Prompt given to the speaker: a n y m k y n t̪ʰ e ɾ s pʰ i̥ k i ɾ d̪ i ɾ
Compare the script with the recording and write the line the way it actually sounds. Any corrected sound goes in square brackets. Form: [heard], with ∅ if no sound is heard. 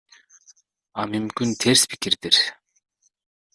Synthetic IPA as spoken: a [m] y m k y n t̪ʰ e ɾ s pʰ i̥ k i ɾ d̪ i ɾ